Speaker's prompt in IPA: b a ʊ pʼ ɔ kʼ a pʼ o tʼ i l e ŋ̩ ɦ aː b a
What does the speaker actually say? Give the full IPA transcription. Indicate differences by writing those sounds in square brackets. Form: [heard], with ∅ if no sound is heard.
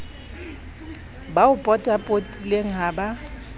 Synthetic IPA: b a ʊ pʼ ɔ [tʼ] a pʼ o tʼ i l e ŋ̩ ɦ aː b a